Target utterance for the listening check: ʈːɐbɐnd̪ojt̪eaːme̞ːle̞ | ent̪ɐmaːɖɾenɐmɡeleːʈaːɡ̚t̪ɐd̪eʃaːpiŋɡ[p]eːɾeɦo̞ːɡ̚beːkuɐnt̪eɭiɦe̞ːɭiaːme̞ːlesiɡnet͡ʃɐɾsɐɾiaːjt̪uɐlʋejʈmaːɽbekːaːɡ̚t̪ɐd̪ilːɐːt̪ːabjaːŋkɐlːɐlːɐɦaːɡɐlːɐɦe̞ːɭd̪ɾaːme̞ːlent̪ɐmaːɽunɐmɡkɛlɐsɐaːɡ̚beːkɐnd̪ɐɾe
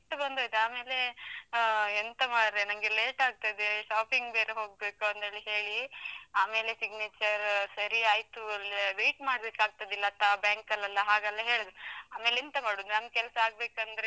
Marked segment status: incorrect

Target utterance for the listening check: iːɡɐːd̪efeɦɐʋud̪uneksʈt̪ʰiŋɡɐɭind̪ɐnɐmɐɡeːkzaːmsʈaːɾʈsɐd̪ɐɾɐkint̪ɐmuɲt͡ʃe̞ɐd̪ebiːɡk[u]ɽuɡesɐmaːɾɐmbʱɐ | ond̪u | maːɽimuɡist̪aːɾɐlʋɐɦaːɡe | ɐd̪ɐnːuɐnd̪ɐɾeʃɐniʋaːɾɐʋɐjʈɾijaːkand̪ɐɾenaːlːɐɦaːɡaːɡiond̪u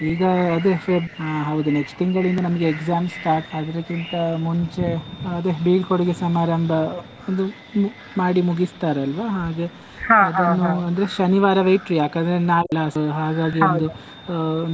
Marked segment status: incorrect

